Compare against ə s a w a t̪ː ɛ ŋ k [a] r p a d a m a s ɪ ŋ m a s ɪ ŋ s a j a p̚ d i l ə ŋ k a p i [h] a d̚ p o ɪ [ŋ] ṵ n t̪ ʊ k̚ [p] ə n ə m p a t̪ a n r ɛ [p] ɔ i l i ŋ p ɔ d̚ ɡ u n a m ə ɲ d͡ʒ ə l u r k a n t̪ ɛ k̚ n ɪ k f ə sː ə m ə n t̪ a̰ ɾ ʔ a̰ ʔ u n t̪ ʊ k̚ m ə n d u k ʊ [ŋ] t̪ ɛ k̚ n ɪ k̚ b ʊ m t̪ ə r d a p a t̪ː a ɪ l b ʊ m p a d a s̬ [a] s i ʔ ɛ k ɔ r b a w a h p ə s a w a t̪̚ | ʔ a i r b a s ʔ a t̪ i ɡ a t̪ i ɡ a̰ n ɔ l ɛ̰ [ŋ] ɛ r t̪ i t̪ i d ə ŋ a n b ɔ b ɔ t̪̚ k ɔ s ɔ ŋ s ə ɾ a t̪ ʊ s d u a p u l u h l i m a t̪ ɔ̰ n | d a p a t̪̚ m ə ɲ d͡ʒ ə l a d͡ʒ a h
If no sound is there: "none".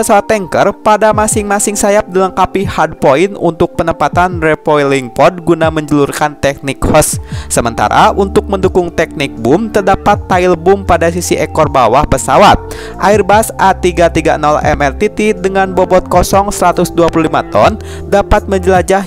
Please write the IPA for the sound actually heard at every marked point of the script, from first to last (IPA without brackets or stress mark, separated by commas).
ə, h, n, p, p, ŋ, i, m